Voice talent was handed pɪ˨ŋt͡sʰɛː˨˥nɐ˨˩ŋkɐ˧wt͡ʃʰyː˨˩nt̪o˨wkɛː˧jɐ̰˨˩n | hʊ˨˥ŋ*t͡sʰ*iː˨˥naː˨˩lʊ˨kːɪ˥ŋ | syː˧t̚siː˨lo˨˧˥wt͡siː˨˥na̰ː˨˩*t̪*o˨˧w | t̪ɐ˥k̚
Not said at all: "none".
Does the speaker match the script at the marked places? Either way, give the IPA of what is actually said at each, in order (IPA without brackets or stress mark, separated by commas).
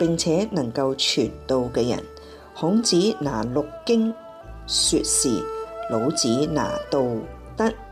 t͡s, t̪